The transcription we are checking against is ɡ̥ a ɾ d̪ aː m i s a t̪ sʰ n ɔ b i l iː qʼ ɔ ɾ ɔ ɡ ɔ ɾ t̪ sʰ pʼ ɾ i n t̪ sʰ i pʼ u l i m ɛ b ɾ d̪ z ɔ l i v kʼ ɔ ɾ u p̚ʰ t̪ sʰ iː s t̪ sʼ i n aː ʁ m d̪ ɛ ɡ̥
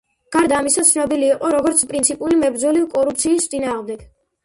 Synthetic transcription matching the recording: ɡ̥ a ɾ d̪ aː m i s a t̪ sʰ n ɔ b i l iː qʼ ɔ ɾ ɔ ɡ ɔ ɾ t̪ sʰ pʼ ɾ i n t̪ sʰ i pʼ u l i m ɛ b ɾ d̪ z ɔ l i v kʼ ɔ ɾ u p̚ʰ t̪ sʰ iː s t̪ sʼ i n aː ʁ m d̪ ɛ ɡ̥